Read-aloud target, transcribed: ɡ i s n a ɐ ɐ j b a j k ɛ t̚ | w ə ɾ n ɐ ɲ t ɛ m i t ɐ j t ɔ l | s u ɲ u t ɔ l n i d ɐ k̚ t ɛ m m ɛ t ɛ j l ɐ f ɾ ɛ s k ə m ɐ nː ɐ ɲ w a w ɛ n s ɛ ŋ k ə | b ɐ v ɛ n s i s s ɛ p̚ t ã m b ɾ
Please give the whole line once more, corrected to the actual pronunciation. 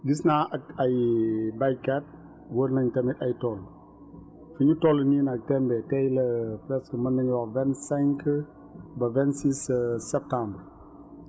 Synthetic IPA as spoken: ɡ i s n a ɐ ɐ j b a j k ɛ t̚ | w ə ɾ n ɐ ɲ t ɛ m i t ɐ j t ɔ l | f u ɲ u t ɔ l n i n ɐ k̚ t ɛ m b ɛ t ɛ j l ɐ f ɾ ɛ s k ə m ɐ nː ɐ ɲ w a v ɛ n s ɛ ŋ k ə | b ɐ v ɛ n s i s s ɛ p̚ t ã m b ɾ

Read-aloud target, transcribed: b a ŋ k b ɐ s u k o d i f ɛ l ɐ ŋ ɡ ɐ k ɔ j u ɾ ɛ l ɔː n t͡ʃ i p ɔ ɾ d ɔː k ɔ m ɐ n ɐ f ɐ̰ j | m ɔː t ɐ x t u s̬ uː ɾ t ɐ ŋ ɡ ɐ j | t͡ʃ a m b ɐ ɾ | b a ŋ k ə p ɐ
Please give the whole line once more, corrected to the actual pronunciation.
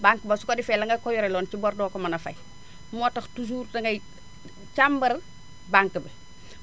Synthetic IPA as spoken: b a ŋ k b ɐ s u k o d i f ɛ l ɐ ŋ ɡ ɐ k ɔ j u ɾ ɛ l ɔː n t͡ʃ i b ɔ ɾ d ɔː k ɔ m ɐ n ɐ f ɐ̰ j | m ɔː t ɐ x t u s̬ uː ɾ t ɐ ŋ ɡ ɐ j | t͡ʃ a m b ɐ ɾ | b a ŋ k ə b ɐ

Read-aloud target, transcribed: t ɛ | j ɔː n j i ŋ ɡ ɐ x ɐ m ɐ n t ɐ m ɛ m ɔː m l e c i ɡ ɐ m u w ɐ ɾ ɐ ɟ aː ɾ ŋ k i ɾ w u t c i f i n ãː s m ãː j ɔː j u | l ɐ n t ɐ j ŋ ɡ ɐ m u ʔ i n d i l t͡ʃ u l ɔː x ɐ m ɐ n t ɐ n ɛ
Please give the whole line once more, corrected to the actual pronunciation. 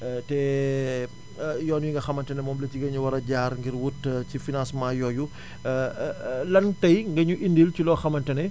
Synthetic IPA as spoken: t ɛ | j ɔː n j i ŋ ɡ ɐ x ɐ m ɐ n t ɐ n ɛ m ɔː m l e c i ɡ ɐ ɲ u w ɐ ɾ ɐ ɟ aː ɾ ŋ ɡ i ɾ w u t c i f i n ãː s m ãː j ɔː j u | l ɐ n t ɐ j ŋ ɡ ɐ ɲ u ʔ i n d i l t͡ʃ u l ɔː x ɐ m ɐ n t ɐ n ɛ

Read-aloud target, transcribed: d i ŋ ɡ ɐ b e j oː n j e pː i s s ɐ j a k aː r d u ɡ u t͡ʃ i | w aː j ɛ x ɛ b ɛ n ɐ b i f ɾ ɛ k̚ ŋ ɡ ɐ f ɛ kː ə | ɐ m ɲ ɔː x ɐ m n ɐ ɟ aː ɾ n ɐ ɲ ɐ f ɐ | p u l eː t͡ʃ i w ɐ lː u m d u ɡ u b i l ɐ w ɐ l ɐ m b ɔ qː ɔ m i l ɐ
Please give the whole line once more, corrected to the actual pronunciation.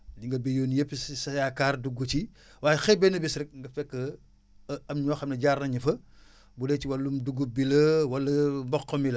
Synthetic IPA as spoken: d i ŋ ɡ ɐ b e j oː n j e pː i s s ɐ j a k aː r d u ɡ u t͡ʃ i | w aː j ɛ x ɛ b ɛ n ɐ b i s ɾ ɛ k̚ ŋ ɡ ɐ f ɛ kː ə | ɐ m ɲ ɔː x ɐ m n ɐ ɟ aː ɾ n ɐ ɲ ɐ f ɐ | b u l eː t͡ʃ i w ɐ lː u m d u ɡ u b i l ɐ w ɐ l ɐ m b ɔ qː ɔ m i l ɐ

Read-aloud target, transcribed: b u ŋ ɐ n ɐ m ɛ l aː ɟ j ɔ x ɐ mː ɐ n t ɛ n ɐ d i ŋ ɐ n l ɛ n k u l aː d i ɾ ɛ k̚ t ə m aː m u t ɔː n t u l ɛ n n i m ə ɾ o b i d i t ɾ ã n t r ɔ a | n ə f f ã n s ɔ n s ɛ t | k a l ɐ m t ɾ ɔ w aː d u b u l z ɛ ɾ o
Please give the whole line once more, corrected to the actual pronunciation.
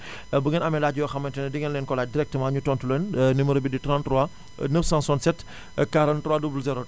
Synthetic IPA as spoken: b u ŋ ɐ n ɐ m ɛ l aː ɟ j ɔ x ɐ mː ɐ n t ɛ n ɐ d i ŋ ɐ n l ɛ n k ɔ l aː d i ɾ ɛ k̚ t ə m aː ɲ u t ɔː n t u l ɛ n n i m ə ɾ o b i d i t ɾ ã n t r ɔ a | n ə f s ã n s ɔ n s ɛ t | k a ɾ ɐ n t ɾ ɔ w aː d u b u l z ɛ ɾ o

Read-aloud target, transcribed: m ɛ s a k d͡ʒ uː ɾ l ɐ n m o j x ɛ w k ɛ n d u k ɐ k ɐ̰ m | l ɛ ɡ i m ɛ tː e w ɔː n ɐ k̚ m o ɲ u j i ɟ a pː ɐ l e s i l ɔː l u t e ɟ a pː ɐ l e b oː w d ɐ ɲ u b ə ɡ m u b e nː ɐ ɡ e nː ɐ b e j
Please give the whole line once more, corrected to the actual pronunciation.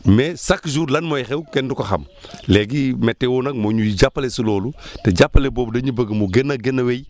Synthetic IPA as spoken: m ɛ s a k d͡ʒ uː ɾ l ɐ n m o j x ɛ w k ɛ n d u k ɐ x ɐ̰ m | l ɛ ɡ i m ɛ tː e w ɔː n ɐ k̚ m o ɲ u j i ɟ a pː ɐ l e s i l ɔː l u t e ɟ a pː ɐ l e b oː b d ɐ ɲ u b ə ɡ m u ɡ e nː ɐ ɡ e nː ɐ w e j

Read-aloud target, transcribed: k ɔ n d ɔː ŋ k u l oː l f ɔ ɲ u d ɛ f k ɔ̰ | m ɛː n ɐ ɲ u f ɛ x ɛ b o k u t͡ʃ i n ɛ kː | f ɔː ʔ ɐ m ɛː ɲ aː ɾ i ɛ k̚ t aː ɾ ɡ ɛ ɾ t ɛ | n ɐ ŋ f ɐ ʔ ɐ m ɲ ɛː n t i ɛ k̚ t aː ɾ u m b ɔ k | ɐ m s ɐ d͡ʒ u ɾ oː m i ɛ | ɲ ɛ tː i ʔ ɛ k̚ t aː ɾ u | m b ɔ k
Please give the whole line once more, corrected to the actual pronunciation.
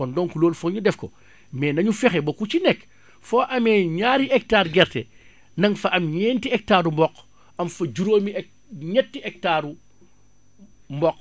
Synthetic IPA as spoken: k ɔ n d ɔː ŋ k u l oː l f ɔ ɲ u d ɛ f k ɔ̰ | m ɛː n ɐ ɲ u f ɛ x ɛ b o k u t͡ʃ i n ɛ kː | f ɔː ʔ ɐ m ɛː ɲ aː ɾ i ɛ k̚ t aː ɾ ɡ ɛ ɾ t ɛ | n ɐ ŋ f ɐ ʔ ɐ m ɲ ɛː n t i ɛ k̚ t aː ɾ u m b ɔ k | ɐ m f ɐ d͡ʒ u ɾ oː m i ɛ | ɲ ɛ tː i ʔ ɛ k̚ t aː ɾ u | m b ɔ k

